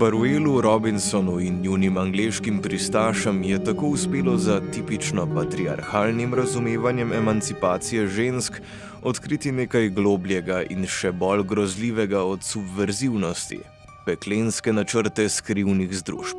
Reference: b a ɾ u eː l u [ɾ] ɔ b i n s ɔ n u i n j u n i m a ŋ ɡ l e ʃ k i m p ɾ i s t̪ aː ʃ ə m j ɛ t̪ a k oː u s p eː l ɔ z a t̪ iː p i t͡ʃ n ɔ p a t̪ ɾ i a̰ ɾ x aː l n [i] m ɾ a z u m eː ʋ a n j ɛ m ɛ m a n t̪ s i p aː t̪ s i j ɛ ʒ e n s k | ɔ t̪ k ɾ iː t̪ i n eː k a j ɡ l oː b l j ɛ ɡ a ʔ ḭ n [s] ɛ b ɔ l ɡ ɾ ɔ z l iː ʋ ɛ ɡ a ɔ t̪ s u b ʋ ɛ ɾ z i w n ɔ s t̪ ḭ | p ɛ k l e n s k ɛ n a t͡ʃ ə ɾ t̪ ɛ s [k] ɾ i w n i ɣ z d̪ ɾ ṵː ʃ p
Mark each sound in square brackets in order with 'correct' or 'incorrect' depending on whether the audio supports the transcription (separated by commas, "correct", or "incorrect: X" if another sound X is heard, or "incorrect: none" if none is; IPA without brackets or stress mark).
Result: correct, correct, incorrect: ʃ, correct